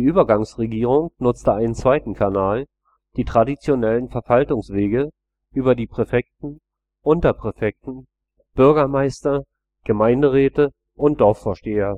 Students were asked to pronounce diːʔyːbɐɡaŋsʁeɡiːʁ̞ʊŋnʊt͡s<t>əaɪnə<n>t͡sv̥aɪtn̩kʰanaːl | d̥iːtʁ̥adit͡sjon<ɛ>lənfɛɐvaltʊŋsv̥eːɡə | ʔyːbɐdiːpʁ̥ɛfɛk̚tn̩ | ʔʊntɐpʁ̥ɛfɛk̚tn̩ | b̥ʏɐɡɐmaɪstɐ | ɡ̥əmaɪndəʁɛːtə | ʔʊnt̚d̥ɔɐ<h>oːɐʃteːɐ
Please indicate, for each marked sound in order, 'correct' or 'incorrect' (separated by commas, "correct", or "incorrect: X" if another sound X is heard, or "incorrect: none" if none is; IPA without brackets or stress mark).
correct, correct, correct, incorrect: f